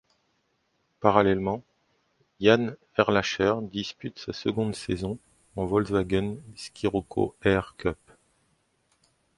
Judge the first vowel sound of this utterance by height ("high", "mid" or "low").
low